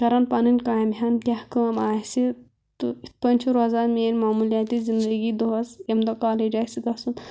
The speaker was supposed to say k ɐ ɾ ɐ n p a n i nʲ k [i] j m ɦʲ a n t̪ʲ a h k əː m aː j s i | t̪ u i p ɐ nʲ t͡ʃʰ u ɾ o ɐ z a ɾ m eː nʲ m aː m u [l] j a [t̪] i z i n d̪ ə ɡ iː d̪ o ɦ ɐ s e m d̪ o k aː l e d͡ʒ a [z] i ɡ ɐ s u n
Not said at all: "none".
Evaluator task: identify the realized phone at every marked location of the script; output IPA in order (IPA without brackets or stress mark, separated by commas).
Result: a, l, t̪, s